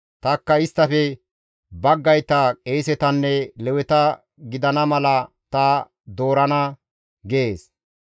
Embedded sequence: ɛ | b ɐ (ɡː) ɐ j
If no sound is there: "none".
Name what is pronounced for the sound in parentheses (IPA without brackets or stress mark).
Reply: ɡː